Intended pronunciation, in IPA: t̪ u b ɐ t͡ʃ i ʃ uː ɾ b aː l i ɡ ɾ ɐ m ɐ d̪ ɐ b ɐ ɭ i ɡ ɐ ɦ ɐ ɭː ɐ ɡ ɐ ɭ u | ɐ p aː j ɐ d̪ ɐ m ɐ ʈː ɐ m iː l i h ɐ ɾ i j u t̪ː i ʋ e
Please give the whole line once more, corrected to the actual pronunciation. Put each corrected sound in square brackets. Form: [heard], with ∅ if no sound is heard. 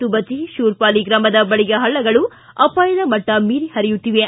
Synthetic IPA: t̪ u b ɐ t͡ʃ i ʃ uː ɾ [p] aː l i ɡ ɾ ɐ m ɐ d̪ ɐ b ɐ ɭ i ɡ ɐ ɦ ɐ ɭː ɐ ɡ ɐ ɭ u | ɐ p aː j ɐ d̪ ɐ m ɐ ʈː ɐ m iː [ɾ] i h ɐ ɾ i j u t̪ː i ʋ e

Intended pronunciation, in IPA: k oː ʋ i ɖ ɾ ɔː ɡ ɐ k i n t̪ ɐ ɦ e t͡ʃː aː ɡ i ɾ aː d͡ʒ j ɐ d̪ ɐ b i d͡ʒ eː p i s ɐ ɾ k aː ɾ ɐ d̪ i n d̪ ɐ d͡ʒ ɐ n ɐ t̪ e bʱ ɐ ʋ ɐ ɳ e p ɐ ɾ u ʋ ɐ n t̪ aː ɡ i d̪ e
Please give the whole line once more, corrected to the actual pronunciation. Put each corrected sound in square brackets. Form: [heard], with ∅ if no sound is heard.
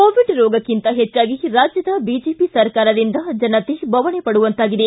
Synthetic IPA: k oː ʋ i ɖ ɾ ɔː ɡ ɐ k i n t̪ ɐ ɦ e t͡ʃː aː ɡ i ɾ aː d͡ʒ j ɐ d̪ ɐ b i d͡ʒ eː p i s ɐ ɾ k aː ɾ ɐ d̪ i n d̪ ɐ d͡ʒ ɐ n ɐ t̪ e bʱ ɐ ʋ ɐ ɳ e p ɐ [ɽ] u ʋ ɐ n t̪ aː ɡ i d̪ e

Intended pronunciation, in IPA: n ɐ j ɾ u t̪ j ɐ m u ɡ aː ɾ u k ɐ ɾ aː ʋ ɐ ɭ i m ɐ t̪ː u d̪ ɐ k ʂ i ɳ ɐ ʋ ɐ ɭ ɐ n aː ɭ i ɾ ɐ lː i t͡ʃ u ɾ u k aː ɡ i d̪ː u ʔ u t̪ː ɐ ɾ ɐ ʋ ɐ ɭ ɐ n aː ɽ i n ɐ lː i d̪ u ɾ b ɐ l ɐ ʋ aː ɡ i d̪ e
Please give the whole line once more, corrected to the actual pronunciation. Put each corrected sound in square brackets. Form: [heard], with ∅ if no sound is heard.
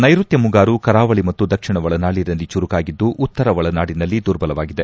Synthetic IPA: n ɐ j ɾ u t̪ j ɐ m u ɡ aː ɾ u k ɐ ɾ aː ʋ ɐ ɭ i m ɐ t̪ː u d̪ ɐ k ʂ i ɳ ɐ ʋ ɐ ɭ ɐ n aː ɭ i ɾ ɐ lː i t͡ʃ u ɾ u k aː ɡ i d̪ː u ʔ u t̪ː ɐ ɾ ɐ ʋ ɐ ɭ ɐ n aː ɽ i n ɐ lː i d̪ u ɾ b ɐ l ɐ ʋ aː ɡ i d̪ e

